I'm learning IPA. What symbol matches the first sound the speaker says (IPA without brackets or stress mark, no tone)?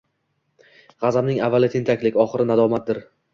ʁ